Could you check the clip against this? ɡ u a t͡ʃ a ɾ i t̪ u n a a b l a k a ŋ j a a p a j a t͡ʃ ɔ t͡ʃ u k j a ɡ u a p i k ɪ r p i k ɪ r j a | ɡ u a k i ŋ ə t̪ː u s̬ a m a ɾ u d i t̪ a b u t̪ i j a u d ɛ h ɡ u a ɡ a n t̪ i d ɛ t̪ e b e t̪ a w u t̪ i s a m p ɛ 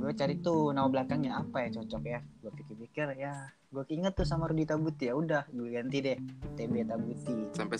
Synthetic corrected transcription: ɡ u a t͡ʃ a ɾ i t̪ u n a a b l a k a ŋ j a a p a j a t͡ʃ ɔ t͡ʃ ɔ k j a ɡ u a p i k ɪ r p i k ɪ r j a | ɡ u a k i ŋ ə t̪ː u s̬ a m a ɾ u d i t̪ a b u t̪ i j a u d a h ɡ u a ɡ a n t̪ i d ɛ t̪ e b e t̪ a b u t̪ i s a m p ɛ